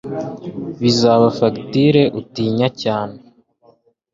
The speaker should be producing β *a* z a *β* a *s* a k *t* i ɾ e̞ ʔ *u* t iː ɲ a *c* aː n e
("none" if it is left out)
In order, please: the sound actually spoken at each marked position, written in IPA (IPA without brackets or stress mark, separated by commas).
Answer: i, β, f, t, u, c